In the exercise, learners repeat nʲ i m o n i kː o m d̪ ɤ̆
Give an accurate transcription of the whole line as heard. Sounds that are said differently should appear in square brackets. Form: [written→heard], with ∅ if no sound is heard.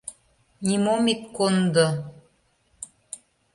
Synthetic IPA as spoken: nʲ i m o [n→m] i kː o [m→n] d̪ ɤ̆